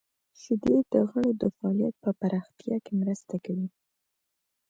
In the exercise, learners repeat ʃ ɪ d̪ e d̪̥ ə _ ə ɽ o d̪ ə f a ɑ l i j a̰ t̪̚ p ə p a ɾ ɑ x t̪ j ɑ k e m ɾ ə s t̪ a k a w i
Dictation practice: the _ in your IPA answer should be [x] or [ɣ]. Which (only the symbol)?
ɣ